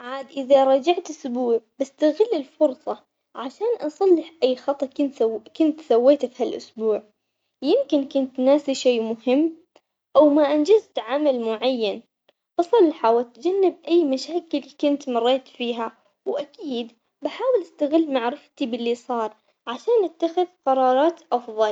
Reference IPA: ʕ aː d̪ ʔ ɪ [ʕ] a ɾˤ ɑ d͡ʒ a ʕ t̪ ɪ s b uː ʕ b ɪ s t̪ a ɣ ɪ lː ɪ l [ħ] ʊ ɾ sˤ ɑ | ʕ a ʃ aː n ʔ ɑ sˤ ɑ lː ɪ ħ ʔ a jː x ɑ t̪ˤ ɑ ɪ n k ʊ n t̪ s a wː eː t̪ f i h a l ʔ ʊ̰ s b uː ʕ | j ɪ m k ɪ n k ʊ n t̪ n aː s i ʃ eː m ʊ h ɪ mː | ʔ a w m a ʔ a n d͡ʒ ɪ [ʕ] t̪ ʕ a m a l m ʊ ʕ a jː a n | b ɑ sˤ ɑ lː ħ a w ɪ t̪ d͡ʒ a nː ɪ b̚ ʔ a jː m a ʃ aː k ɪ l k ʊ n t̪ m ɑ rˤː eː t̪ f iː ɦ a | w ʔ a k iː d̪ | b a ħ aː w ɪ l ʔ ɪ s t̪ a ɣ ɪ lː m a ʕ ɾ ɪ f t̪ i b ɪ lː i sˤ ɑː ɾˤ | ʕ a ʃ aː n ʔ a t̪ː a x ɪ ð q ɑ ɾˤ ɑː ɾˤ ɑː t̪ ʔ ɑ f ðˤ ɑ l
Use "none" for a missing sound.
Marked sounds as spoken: ð, f, z

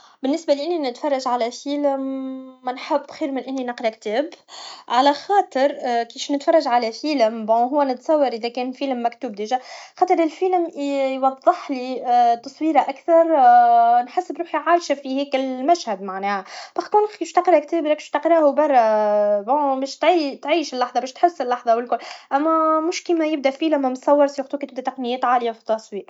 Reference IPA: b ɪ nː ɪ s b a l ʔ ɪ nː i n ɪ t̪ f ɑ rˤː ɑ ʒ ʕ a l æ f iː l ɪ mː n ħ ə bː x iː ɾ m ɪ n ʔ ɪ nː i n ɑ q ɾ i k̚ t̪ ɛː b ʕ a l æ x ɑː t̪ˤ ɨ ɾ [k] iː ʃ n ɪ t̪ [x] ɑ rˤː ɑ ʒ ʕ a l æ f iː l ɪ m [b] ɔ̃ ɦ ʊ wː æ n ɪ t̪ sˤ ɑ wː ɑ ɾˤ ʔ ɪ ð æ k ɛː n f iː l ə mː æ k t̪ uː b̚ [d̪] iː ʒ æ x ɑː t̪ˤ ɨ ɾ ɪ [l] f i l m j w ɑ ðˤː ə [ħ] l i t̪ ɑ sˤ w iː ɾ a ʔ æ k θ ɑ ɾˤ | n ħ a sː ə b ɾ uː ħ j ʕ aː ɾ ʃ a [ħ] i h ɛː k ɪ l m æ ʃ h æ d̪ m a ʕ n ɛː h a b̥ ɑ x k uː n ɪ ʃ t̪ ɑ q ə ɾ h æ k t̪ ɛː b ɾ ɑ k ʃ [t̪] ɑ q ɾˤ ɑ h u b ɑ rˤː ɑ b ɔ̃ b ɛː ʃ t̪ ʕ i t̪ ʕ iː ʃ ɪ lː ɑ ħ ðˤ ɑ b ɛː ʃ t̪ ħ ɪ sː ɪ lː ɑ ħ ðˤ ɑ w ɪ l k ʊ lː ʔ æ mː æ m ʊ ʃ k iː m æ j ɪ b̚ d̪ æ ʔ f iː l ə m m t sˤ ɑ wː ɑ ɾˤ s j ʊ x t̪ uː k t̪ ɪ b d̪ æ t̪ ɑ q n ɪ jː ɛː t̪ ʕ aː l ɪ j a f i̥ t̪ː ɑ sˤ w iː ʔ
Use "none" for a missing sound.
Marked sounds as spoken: k, f, b, d̪, l, ħ, f, t̪

